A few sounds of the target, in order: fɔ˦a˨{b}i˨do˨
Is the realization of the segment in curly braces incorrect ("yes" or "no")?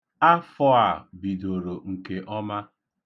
no